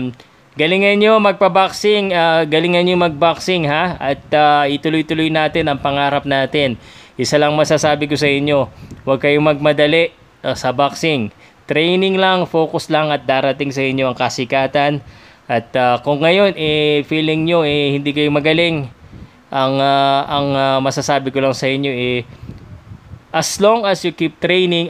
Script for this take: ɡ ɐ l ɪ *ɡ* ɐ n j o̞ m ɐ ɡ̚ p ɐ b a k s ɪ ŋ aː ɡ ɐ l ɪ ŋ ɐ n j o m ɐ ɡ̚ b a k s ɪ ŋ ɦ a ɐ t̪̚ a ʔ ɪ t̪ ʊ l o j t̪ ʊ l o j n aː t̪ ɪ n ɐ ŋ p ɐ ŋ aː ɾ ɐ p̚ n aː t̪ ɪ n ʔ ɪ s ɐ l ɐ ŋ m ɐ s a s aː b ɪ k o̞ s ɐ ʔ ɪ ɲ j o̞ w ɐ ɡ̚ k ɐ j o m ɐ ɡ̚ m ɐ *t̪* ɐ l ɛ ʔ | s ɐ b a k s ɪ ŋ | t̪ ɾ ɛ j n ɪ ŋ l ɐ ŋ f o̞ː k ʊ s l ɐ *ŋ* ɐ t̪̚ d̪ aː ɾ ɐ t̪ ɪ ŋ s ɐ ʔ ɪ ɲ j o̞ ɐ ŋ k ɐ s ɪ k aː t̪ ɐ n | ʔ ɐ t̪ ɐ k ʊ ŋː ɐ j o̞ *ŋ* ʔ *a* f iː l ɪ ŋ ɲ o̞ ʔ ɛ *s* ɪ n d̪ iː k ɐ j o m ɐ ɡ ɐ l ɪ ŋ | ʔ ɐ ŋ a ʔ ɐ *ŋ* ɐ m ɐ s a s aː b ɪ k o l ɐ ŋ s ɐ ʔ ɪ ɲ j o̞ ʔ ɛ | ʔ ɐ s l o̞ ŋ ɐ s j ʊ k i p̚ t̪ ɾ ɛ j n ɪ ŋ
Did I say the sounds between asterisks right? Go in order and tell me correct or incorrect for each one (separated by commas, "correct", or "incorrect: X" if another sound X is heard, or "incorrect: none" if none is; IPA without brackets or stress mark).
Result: incorrect: ŋ, incorrect: d̪, correct, incorrect: n, incorrect: ɛ, incorrect: h, correct